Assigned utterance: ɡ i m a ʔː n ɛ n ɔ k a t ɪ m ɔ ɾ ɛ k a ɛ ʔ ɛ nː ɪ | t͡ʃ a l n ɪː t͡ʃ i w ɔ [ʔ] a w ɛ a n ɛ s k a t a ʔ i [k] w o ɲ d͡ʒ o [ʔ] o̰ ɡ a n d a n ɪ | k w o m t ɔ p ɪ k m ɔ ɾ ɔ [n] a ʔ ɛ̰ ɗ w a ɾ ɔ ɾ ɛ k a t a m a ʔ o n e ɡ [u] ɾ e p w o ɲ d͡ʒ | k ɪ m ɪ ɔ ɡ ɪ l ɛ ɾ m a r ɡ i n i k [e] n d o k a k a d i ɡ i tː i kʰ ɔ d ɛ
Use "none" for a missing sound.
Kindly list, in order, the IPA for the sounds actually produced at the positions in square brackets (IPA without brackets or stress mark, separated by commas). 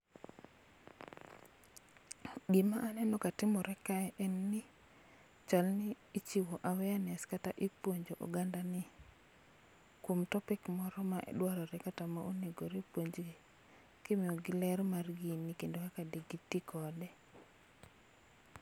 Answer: ʔ, p, ʔ, m, o, e